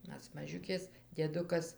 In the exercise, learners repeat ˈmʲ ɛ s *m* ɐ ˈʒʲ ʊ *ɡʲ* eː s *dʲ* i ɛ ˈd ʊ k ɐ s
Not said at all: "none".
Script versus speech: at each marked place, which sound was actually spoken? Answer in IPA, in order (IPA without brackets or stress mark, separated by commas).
m, kʲ, dʲ